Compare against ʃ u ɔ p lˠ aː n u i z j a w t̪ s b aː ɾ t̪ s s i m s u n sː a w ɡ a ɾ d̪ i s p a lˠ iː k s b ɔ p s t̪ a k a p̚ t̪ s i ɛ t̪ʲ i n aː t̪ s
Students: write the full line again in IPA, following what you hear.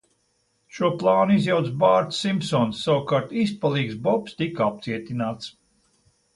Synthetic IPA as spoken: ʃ u ɔ p lˠ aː n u i z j a w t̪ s b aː ɾ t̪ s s i m s ɔ n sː a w k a ɾ t̪ i s p a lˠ iː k s b ɔ p s t̪ i k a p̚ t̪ s i ɛ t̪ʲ i n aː t̪ s